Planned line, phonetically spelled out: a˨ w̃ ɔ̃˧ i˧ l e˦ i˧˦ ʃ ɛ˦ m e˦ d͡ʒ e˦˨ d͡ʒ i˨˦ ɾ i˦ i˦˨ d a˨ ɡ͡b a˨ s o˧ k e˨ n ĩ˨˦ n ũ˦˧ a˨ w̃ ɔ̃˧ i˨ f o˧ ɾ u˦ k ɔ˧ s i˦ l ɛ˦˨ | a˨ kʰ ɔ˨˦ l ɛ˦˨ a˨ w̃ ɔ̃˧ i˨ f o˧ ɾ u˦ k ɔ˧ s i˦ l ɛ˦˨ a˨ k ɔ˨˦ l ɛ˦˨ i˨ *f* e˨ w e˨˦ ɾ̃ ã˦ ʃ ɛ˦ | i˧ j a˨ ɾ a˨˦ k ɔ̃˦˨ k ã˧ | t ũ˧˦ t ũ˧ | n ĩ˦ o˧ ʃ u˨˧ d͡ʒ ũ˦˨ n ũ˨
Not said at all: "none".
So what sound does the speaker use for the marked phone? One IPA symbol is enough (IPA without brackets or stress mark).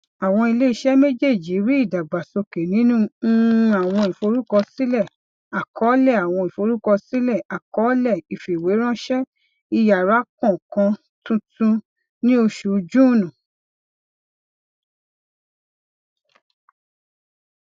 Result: f